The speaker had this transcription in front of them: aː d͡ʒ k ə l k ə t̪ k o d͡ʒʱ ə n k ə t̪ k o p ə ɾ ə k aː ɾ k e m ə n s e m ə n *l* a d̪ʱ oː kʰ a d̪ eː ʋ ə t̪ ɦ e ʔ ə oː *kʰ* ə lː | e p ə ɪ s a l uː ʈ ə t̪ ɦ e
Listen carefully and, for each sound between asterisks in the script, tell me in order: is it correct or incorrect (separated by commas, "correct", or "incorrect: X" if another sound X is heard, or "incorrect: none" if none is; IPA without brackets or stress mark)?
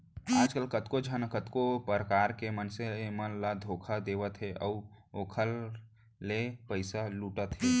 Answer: correct, correct